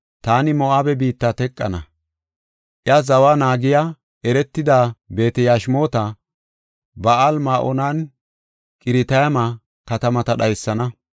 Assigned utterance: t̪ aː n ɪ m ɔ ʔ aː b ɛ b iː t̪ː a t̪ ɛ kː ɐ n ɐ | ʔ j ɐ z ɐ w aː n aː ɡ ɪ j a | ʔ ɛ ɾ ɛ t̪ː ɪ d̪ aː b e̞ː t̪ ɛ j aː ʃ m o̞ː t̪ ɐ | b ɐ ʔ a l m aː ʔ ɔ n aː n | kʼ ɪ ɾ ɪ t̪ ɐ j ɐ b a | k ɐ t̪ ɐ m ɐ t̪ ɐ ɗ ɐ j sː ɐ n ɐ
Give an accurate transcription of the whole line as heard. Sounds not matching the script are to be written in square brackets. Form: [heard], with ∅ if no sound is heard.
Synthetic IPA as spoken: t̪ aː n ɪ m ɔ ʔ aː b ɛ b iː t̪ː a t̪ ɛ [kʼː] ɐ n ɐ | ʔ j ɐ z ɐ w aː n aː ɡ ɪ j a | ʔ ɛ ɾ ɛ t̪ː ɪ d̪ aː b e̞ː t̪ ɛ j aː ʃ m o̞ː t̪ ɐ | b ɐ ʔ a l m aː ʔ ɔ n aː n | kʼ ɪ ɾ ɪ t̪ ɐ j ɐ [m] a | k ɐ t̪ ɐ m ɐ t̪ ɐ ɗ ɐ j sː ɐ n ɐ